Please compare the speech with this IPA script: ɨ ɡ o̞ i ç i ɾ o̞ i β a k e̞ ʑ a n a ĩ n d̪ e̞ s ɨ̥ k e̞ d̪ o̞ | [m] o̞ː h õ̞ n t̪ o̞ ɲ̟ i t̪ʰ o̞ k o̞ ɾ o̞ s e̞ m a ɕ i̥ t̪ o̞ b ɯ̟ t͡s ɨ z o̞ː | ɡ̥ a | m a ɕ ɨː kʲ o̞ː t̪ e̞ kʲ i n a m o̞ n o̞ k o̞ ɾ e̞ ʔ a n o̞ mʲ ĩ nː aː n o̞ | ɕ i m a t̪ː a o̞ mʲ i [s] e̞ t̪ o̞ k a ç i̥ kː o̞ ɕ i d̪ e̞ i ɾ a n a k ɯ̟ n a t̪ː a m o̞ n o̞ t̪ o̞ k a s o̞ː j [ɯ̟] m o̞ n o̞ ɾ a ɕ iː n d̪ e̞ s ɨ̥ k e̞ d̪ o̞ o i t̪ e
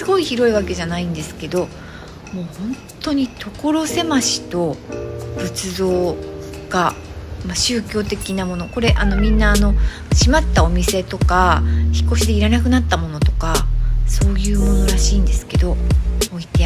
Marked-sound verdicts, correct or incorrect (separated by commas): correct, correct, incorrect